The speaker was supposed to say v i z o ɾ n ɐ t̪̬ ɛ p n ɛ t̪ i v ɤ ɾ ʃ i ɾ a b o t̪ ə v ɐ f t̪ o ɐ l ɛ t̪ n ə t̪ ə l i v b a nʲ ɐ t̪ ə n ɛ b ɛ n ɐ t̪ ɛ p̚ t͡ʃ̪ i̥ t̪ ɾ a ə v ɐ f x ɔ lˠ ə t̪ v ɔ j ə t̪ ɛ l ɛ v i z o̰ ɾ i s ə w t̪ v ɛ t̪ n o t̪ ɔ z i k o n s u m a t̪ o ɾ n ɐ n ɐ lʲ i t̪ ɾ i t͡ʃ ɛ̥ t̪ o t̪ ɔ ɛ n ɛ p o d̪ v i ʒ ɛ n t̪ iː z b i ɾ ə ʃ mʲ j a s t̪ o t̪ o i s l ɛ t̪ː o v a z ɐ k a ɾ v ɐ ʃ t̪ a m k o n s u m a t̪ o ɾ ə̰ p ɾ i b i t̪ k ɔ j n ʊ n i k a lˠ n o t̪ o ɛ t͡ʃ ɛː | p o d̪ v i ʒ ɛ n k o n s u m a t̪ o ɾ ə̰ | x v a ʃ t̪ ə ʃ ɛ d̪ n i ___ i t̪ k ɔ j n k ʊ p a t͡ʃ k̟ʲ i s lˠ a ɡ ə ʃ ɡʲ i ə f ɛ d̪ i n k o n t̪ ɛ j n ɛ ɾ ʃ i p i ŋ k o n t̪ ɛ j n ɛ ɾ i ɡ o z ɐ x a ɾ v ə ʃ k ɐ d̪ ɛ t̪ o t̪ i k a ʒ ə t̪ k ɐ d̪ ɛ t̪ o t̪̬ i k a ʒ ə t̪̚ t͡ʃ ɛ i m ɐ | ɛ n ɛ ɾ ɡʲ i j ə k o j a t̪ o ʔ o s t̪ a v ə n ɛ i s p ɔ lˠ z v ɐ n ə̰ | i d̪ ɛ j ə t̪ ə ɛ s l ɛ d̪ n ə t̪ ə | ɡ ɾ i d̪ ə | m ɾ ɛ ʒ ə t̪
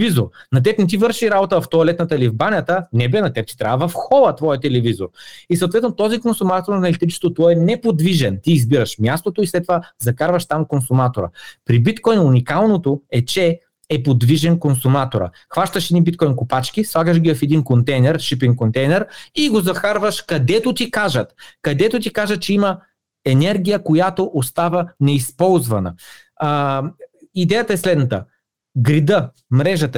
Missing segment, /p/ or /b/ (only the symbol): b